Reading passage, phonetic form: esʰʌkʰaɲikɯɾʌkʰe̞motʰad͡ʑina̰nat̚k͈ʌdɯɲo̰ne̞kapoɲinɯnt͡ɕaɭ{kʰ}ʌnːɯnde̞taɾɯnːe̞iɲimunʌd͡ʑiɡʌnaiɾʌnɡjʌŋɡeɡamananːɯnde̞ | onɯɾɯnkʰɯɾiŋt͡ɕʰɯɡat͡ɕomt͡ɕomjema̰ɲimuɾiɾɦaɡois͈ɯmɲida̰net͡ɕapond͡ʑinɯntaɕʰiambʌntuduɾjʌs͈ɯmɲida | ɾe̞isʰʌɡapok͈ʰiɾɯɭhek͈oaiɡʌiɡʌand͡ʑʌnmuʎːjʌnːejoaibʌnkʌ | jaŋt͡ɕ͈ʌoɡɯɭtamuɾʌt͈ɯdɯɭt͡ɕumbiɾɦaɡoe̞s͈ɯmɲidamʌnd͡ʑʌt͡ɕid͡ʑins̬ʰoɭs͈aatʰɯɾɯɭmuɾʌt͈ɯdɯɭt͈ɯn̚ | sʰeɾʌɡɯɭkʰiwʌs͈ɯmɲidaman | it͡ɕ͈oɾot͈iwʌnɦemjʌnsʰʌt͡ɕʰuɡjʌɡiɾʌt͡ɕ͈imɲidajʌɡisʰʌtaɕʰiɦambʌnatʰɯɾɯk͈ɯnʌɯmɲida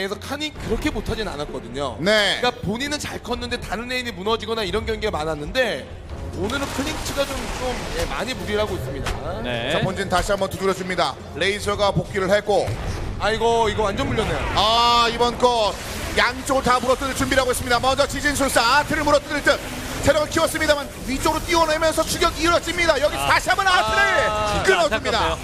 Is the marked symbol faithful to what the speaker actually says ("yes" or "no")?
yes